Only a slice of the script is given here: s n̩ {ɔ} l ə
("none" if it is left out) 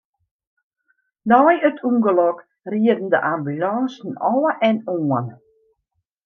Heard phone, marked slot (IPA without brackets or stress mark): ɔ